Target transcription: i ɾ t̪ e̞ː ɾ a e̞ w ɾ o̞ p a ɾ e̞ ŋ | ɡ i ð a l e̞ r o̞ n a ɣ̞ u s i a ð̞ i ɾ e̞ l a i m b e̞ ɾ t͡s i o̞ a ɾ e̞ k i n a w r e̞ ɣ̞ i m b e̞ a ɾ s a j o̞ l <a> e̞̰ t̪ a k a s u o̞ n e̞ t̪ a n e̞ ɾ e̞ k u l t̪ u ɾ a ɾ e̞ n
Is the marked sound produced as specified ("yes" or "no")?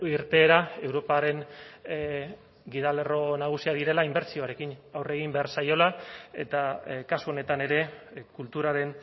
yes